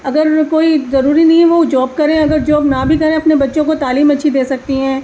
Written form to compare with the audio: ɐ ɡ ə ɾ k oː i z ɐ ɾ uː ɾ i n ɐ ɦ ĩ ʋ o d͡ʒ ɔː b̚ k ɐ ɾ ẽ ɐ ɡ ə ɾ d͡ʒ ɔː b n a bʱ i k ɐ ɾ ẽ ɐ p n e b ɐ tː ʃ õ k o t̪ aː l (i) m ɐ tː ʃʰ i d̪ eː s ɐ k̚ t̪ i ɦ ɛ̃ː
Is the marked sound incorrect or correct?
incorrect